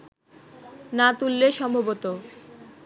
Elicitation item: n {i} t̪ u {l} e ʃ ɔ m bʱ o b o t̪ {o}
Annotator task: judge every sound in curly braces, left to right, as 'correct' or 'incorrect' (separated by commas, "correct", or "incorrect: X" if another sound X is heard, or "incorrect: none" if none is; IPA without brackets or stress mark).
incorrect: a, incorrect: lː, correct